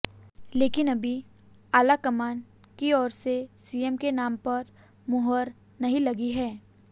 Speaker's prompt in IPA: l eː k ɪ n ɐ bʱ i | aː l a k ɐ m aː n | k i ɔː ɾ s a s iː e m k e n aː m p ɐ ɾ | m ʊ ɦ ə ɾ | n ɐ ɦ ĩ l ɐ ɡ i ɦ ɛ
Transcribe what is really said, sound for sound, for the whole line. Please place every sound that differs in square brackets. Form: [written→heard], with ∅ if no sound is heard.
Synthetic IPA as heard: l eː k ɪ n ɐ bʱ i | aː l a k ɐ m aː n | k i ɔː ɾ s [a→e] s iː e m k e n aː m p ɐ ɾ | m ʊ ɦ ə ɾ | n ɐ ɦ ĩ l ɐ ɡ i ɦ [ɛ→ɛː]